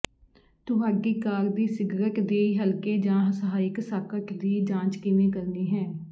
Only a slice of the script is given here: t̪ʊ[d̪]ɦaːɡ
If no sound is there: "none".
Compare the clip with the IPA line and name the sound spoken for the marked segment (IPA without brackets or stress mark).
none